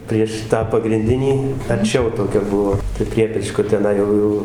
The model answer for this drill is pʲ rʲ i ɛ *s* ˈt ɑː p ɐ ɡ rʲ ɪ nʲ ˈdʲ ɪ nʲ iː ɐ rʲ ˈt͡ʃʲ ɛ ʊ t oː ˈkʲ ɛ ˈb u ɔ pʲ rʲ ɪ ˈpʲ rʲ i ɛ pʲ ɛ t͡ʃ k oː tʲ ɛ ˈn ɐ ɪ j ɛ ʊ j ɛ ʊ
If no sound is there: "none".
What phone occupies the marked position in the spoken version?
ʃ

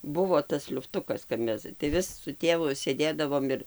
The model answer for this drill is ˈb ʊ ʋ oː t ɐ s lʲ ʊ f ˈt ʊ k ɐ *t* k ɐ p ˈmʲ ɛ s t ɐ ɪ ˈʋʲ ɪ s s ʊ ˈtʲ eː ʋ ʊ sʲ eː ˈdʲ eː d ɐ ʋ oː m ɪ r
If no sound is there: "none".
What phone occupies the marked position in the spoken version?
s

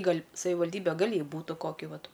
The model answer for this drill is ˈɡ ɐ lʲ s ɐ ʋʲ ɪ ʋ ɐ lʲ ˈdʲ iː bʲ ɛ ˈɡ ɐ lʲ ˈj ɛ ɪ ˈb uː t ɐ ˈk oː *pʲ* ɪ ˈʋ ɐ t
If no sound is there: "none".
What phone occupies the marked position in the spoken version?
kʲ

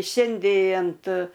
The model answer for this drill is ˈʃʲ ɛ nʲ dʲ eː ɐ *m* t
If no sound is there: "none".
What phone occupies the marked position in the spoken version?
n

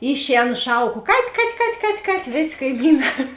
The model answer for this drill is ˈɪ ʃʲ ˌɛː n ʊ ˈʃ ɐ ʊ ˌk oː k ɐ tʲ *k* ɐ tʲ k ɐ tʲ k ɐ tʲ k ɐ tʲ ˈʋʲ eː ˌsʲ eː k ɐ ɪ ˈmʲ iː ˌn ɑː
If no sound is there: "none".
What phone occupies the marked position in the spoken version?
k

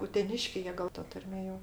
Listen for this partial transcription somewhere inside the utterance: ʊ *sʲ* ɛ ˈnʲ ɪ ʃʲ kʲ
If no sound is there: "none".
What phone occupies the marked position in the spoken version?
tʲ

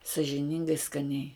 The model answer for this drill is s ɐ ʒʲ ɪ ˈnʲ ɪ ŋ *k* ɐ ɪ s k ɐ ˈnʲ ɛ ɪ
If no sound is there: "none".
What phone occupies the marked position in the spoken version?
ɡ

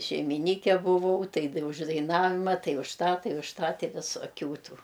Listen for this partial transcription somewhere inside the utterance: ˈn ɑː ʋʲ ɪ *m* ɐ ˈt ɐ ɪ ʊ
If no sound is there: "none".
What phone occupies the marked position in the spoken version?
m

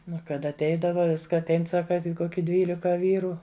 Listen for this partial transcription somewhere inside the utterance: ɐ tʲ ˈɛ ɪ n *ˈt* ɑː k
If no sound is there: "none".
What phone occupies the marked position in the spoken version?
s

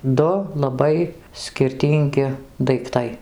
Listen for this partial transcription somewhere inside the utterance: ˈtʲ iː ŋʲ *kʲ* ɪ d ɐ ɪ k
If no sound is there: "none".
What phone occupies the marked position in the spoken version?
ɡʲ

